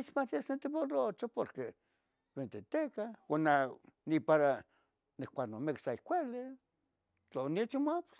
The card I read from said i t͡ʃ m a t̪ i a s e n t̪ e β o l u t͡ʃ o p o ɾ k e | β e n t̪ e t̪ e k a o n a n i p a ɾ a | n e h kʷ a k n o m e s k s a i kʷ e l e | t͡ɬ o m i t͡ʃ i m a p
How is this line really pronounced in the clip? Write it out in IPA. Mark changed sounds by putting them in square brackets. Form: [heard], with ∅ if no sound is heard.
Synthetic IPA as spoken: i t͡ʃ m a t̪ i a s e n t̪ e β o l [o] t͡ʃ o p o ɾ k e | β e n t̪ e t̪ e k a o n a n i p a ɾ a | n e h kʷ a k n o m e [∅] k s a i kʷ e l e | t͡ɬ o [n] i t͡ʃ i m a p